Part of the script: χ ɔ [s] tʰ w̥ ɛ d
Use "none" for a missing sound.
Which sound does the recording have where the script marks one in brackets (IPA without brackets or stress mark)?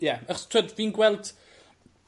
s